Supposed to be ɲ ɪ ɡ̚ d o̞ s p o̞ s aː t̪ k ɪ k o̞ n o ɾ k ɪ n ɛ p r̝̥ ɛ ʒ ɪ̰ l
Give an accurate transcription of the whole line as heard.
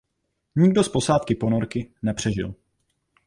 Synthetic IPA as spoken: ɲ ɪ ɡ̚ d o̞ s p o̞ s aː t̪ k ɪ p o̞ n o ɾ k ɪ n ɛ p r̝̥ ɛ ʒ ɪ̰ l